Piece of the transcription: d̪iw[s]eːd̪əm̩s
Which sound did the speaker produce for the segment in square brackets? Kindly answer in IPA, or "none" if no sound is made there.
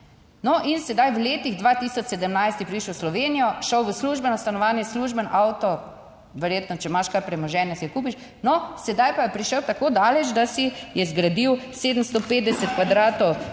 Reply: s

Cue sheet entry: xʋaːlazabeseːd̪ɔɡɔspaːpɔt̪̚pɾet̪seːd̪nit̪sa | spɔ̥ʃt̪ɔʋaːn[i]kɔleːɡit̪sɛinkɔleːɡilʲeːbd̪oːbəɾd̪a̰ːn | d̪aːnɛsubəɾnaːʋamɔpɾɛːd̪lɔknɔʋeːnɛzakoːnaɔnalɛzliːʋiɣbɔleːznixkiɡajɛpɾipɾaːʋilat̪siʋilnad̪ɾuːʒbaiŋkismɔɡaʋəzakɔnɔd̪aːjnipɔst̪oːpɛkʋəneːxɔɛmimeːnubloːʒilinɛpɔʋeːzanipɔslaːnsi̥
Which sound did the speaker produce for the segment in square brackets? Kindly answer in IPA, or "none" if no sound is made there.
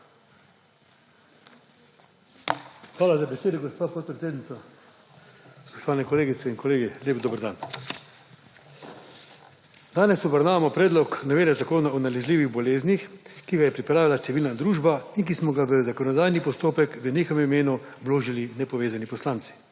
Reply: ɛ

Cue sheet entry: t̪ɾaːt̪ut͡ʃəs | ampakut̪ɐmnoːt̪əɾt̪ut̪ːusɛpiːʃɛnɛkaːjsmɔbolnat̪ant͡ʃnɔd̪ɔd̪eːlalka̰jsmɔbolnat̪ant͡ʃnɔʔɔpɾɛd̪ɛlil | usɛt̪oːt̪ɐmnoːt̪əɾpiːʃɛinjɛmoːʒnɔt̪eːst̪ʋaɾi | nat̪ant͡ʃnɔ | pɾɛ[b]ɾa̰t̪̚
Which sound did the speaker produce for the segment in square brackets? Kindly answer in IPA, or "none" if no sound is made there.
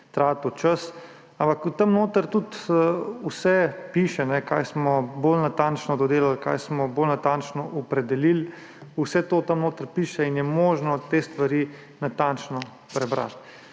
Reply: b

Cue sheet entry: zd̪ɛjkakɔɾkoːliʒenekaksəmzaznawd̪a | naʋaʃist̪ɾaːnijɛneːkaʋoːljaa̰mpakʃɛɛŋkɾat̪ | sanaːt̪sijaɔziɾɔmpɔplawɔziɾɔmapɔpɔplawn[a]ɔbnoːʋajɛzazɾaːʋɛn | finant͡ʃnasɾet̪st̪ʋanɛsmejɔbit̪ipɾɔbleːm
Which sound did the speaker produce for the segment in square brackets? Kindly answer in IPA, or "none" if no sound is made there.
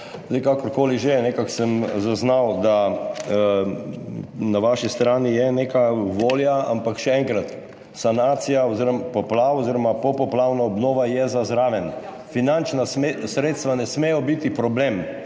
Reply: a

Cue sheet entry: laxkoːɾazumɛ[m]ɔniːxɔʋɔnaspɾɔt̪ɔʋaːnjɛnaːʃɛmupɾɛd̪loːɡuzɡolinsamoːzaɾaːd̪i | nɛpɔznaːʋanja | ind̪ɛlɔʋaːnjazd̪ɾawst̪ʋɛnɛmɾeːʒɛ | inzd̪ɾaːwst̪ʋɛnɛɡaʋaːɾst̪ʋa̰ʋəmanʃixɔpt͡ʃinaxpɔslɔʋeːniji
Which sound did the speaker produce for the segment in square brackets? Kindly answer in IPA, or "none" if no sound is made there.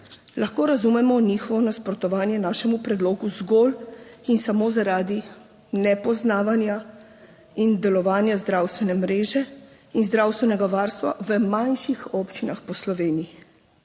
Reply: m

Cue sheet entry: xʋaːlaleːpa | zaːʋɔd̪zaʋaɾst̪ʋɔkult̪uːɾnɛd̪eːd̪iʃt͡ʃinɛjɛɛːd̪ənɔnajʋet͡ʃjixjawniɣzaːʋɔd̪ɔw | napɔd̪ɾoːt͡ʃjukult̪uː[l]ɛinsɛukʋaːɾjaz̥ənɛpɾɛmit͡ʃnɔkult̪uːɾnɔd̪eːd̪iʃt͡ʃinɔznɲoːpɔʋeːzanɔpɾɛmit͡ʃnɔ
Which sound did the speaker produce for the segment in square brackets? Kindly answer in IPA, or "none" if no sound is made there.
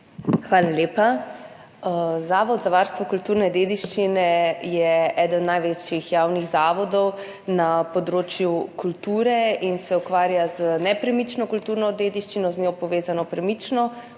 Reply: ɾ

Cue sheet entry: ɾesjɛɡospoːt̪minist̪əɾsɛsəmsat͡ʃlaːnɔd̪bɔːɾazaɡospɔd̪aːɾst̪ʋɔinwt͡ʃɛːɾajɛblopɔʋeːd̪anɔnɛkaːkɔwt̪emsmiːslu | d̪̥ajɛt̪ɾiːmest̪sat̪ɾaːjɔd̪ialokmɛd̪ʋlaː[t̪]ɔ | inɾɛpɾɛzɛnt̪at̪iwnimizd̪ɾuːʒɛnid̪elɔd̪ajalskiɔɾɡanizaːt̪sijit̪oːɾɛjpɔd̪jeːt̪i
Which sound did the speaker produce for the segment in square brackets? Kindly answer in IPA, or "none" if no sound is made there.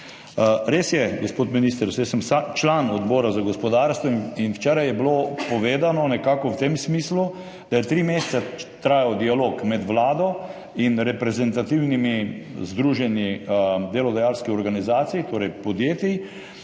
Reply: d̪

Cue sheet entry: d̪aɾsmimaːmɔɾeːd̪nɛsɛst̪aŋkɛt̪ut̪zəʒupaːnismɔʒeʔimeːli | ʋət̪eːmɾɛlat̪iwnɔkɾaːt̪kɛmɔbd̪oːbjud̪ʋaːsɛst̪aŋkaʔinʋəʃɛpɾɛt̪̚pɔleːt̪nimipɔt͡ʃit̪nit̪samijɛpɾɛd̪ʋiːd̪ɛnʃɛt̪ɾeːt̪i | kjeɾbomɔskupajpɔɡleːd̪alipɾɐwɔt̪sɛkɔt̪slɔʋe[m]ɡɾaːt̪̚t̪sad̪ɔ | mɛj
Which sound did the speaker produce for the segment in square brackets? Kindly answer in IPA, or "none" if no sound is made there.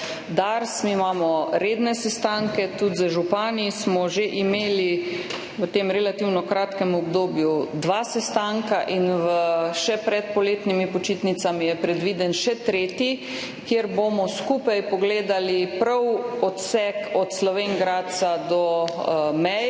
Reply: ŋ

